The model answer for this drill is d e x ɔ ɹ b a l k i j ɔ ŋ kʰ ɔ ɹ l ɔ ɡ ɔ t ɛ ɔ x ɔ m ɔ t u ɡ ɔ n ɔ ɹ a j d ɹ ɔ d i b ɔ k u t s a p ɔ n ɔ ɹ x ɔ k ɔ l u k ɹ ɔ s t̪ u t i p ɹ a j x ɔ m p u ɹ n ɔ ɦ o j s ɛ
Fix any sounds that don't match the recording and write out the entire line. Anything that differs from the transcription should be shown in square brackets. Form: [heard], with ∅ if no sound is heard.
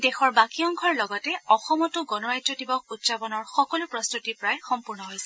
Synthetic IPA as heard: d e x ɔ ɹ b a [∅] k i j ɔ ŋ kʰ ɔ ɹ l ɔ ɡ ɔ t ɛ ɔ x ɔ m ɔ t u ɡ ɔ n ɔ ɹ a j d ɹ ɔ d i b ɔ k u t s a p ɔ n ɔ ɹ x ɔ k ɔ l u [p] ɹ ɔ s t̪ u t i p ɹ a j x ɔ m p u ɹ n ɔ ɦ o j s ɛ